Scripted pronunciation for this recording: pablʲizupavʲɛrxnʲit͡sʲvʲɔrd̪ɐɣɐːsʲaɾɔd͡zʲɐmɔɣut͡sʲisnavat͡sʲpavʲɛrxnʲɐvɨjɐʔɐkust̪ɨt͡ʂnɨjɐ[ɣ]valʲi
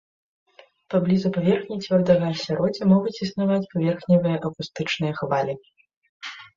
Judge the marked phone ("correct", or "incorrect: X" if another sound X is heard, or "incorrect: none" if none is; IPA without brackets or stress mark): incorrect: x